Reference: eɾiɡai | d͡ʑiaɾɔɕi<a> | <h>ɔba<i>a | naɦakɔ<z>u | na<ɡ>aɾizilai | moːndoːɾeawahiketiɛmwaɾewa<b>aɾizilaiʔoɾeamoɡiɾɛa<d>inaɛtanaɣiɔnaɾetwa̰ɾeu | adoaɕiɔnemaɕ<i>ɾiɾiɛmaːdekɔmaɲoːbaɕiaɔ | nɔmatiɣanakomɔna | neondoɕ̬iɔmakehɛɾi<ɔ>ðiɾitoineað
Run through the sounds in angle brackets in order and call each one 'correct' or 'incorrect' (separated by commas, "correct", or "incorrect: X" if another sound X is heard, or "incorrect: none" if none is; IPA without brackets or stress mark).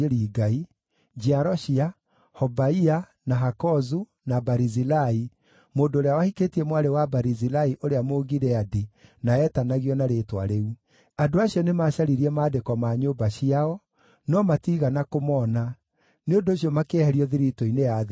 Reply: correct, correct, correct, correct, incorrect: b, correct, correct, incorrect: a, correct